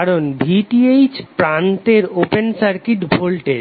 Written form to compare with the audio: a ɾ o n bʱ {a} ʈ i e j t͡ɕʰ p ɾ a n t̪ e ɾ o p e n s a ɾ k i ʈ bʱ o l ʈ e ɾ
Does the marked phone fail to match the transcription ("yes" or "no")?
yes